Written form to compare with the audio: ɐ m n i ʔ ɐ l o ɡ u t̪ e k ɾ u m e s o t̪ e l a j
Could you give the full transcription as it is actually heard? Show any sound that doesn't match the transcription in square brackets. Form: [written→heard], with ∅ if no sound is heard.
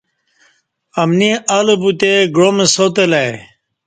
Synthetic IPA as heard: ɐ m n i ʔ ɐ l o [ɡ→b] u t̪ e [k→ɡ] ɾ [u→o] m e s o t̪ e l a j